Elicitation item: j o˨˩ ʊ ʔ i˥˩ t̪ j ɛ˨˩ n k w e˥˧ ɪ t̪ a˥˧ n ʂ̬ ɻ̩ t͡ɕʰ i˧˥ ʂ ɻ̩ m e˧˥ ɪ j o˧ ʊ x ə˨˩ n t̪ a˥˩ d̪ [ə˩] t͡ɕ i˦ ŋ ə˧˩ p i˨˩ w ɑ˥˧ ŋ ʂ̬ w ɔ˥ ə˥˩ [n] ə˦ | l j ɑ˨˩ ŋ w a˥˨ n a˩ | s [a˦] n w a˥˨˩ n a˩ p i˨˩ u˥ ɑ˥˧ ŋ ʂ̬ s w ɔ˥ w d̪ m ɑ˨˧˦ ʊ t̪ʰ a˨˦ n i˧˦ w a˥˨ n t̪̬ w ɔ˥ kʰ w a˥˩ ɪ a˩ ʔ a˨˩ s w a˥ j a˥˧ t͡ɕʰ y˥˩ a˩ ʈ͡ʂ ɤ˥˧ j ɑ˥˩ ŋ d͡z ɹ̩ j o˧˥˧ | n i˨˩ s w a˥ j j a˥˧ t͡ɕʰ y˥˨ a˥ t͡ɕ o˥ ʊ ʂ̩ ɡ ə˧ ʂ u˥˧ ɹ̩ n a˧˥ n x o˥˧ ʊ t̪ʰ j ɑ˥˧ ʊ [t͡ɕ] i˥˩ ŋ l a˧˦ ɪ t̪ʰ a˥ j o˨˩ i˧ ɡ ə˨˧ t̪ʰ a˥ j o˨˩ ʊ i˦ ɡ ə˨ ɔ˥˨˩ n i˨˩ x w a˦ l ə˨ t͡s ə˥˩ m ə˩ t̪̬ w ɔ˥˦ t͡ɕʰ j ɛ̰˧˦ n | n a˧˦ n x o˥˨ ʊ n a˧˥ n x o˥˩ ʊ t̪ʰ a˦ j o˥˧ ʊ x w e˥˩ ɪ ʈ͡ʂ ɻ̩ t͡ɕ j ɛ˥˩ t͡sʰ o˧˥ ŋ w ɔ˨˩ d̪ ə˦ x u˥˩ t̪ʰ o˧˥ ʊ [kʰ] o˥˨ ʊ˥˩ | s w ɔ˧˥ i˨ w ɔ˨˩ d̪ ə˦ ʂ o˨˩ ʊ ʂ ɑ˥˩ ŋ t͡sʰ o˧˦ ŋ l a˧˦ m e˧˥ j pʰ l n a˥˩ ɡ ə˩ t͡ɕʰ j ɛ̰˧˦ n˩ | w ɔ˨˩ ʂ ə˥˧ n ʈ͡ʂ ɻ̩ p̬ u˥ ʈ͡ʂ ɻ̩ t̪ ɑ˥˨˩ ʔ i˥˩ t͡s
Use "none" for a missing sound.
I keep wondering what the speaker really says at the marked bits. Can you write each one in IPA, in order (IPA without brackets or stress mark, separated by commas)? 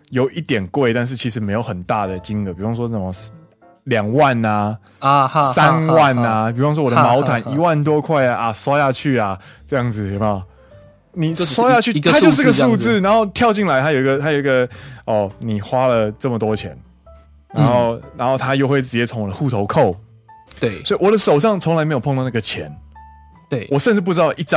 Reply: ə˩, m, a˦, t͡ɕ, kʰ